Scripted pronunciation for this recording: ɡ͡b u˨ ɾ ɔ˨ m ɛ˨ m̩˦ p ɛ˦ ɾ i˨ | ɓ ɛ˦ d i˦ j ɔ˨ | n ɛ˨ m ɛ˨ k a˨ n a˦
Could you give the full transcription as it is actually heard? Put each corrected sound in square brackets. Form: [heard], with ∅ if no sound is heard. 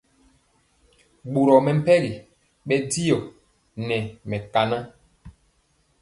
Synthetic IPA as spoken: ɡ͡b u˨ ɾ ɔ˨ m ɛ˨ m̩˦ p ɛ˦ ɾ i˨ | ɓ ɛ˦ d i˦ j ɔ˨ | n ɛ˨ m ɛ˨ k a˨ n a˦